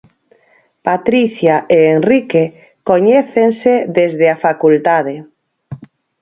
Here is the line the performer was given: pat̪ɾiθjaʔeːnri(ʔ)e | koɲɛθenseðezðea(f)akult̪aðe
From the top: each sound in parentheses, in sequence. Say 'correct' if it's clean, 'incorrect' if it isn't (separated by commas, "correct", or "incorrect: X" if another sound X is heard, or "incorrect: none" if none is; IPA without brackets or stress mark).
incorrect: k, correct